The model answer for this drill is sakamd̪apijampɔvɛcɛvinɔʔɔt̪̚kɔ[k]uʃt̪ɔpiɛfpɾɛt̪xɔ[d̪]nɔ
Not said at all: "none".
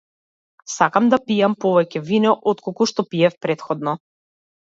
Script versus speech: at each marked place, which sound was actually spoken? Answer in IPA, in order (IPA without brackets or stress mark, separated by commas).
k, d̪